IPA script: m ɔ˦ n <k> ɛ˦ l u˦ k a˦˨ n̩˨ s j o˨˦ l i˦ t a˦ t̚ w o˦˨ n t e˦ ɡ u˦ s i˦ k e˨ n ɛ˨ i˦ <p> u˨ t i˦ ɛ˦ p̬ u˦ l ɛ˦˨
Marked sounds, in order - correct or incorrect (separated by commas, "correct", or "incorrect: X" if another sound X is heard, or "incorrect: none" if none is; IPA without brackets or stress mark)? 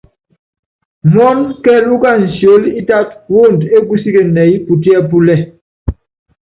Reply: correct, correct